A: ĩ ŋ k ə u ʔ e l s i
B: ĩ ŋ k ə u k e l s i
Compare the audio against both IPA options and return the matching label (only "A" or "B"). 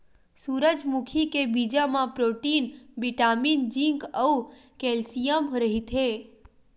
B